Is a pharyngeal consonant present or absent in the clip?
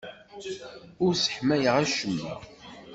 present